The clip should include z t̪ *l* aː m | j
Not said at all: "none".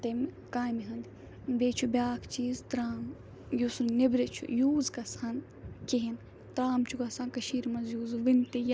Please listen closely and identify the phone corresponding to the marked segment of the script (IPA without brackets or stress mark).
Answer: ɾ